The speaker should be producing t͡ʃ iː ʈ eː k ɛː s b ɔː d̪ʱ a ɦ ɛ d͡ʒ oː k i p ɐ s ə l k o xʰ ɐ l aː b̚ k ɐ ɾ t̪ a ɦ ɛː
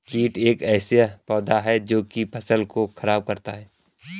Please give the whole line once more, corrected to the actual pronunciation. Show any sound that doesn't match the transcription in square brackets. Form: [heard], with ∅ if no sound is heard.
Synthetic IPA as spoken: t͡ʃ iː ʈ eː k ɛː s [p] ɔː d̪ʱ a ɦ ɛ d͡ʒ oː k i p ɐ s ə l k o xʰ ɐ [ɾ] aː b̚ k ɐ ɾ t̪ a ɦ ɛː

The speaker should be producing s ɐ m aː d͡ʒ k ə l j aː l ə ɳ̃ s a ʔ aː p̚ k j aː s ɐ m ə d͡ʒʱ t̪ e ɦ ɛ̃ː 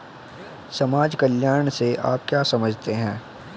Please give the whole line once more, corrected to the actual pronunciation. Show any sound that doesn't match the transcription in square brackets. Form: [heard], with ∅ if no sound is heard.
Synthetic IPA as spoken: s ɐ m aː d͡ʒ k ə l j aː [ɾ] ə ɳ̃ s [e] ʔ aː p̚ k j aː s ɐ m ə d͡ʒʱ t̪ e ɦ ɛ̃ː

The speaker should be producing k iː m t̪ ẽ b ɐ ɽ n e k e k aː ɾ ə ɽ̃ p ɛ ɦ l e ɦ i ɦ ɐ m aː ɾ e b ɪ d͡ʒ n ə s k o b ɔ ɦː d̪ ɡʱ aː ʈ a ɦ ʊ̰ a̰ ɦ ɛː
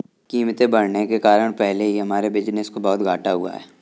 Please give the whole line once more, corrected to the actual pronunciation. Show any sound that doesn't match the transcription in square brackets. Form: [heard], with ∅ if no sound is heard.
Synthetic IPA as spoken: k iː m t̪ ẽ b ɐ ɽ n e k e k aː ɾ ə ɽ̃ p ɛ ɦ l e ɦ i ɦ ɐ m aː ɾ e b ɪ d͡ʒ n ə s k o b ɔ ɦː [t̪] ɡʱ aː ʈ a ɦ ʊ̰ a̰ ɦ ɛː

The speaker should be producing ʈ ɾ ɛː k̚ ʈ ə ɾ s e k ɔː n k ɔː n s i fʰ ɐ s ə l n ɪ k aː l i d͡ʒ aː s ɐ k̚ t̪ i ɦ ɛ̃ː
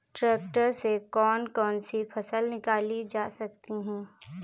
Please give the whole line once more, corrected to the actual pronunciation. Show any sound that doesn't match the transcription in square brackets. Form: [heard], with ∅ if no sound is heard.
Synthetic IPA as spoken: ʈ ɾ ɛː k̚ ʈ ə ɾ s e k ɔː n k ɔː n s i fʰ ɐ s ə l n ɪ k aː l i d͡ʒ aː s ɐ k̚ t̪ i ɦ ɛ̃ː

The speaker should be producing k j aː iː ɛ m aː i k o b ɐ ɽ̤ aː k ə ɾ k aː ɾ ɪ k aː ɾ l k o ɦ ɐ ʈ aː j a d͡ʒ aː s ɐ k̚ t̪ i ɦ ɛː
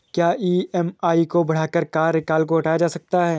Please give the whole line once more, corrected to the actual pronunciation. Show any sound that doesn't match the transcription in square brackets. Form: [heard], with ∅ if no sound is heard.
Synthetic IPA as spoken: k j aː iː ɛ m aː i k o b ɐ ɽ̤ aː k ə ɾ k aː ɾ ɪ k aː [∅] l k o ɦ ɐ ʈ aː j a d͡ʒ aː s ɐ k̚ t̪ [a] ɦ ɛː

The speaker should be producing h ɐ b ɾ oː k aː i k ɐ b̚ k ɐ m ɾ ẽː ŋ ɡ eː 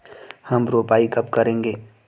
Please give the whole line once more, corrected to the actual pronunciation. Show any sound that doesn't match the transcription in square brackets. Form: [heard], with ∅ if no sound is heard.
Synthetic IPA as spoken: h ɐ [m] ɾ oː [p] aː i k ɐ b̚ k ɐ [∅] ɾ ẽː ŋ ɡ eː

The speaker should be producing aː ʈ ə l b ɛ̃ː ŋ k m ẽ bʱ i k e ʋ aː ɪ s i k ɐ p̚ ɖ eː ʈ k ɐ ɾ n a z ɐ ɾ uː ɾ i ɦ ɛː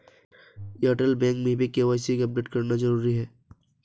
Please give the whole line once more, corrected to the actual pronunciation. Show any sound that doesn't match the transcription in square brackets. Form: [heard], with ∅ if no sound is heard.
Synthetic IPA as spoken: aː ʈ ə l b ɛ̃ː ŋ k m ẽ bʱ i k e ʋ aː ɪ s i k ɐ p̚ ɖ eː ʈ k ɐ ɾ n a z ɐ ɾ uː ɾ i ɦ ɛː

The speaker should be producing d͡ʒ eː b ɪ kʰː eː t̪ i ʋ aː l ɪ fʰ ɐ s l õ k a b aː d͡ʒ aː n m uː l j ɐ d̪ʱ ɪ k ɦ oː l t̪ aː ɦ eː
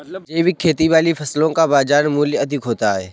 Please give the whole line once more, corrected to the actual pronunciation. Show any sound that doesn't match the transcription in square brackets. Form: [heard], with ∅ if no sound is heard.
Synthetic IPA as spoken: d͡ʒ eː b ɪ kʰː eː t̪ i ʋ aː l [i] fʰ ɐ s l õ k a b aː d͡ʒ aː n m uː l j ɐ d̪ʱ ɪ k ɦ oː [∅] t̪ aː ɦ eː

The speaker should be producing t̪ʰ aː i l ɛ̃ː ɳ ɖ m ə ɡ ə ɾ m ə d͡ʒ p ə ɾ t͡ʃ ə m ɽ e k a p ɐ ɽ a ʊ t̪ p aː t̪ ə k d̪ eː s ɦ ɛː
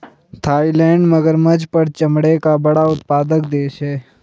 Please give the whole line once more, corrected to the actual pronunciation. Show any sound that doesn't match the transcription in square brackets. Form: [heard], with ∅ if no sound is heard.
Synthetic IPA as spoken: t̪ʰ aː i l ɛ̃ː ɳ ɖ m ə ɡ ə ɾ m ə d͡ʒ p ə ɾ t͡ʃ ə m ɽ e k a [b] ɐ ɽ a ʊ t̪ p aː [d̪] ə k d̪ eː [ʃ] ɦ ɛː

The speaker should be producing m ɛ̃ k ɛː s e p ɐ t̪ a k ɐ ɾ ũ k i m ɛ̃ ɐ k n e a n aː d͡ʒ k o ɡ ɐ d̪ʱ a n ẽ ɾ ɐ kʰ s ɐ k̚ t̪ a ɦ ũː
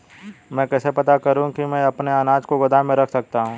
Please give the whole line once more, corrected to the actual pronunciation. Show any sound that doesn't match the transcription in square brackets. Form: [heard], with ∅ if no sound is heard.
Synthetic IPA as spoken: m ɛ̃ k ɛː s e p ɐ t̪ a k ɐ ɾ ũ k i m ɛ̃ ɐ [p] n e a n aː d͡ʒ k o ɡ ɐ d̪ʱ a [m] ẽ ɾ ɐ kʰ s ɐ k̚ t̪ a ɦ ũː

